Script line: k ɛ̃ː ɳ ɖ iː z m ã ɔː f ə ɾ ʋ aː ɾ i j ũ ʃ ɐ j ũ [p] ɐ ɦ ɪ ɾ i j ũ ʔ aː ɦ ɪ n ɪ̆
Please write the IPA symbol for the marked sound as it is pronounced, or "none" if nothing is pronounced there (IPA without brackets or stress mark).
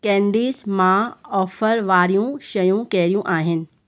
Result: k